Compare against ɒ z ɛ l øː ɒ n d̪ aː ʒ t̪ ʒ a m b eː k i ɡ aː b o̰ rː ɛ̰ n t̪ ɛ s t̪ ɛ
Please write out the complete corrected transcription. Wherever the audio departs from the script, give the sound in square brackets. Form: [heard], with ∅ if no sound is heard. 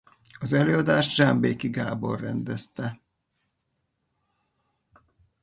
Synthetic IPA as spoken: ɒ z ɛ l øː ɒ [∅] d̪ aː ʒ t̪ ʒ a m b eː k i ɡ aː b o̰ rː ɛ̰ n [d̪] ɛ s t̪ ɛ